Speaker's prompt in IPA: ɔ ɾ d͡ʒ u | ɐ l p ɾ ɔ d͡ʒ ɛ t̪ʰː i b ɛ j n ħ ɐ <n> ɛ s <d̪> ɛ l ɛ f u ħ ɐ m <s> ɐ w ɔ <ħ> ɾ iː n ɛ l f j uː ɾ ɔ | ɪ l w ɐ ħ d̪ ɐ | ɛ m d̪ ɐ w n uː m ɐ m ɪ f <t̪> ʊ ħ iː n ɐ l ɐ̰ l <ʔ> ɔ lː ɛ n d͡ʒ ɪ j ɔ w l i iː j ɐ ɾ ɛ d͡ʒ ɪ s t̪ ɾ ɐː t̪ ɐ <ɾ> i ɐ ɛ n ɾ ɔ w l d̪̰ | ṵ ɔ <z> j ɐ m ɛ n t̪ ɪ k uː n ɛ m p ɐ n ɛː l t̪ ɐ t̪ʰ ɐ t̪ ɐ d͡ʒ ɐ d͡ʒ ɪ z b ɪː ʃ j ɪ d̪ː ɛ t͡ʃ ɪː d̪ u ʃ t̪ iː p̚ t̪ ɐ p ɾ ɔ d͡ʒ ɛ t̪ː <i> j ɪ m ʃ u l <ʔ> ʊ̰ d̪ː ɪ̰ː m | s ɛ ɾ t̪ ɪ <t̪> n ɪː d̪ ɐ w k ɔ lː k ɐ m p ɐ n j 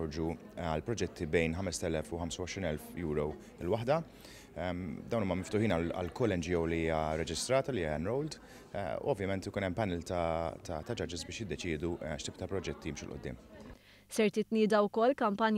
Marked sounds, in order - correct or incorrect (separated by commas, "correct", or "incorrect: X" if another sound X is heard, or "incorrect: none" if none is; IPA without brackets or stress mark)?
incorrect: m, incorrect: t̪, correct, incorrect: ʃ, correct, incorrect: k, incorrect: l, incorrect: v, correct, correct, correct